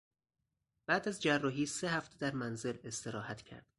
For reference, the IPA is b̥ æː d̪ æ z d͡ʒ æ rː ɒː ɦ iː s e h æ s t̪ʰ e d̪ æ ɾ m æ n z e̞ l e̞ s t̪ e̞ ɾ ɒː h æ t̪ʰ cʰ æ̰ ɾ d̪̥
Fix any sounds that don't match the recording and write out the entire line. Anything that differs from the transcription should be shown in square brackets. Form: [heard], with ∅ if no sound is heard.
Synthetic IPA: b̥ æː d̪ æ z d͡ʒ æ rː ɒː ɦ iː s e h æ [f] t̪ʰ e d̪ æ ɾ m æ n z e̞ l e̞ s t̪ e̞ ɾ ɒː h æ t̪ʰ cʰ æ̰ ɾ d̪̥